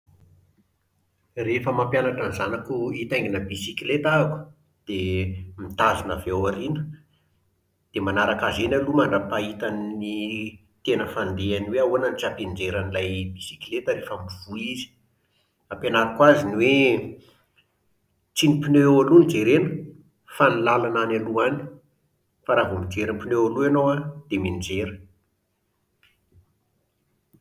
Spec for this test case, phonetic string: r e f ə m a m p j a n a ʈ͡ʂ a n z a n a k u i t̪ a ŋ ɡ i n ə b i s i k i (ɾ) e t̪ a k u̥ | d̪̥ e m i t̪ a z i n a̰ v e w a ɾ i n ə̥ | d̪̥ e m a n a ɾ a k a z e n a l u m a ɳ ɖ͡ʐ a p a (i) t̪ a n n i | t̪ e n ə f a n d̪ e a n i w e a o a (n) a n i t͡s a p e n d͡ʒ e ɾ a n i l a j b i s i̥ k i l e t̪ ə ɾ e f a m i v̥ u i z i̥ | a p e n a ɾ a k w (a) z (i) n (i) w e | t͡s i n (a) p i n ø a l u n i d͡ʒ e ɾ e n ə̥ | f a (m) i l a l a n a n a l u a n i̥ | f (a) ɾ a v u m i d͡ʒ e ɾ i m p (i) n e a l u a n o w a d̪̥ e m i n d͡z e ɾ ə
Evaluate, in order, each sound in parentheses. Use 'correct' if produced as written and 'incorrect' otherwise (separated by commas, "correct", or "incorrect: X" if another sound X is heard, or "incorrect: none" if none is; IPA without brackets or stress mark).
incorrect: l, correct, correct, correct, correct, correct, incorrect: i, incorrect: n, correct, correct